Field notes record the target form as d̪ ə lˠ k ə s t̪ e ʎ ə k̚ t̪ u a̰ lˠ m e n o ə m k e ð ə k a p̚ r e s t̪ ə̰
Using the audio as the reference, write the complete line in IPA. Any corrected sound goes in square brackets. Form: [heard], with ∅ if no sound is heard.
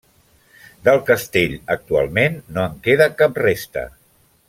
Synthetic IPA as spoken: d̪ ə lˠ k ə s t̪ e ʎ ə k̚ t̪ u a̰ lˠ m e [nː] o ə [ŋ] k e ð ə k a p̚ r e s t̪ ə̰